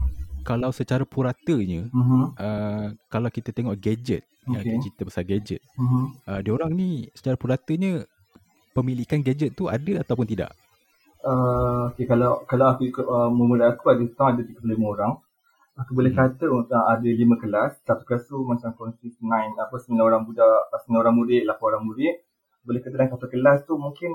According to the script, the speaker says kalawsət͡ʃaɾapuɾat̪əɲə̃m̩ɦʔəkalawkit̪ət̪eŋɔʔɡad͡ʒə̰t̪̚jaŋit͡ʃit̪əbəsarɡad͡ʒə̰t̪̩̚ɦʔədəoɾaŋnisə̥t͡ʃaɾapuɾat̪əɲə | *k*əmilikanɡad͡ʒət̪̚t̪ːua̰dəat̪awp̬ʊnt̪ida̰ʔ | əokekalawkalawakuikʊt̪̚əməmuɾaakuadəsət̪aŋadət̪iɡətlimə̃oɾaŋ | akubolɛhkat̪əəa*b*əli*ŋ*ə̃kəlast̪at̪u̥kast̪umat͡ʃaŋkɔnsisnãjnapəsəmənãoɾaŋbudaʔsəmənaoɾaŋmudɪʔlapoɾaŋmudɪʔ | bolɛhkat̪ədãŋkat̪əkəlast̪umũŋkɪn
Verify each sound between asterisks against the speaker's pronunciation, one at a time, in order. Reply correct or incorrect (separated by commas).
incorrect, incorrect, incorrect